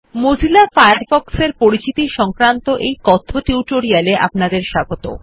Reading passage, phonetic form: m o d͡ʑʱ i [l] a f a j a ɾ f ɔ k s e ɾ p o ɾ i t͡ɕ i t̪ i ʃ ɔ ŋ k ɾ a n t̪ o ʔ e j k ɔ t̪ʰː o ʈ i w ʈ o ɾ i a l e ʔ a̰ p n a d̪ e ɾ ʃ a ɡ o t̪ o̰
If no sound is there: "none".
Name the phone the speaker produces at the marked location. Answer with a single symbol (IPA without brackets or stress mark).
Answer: l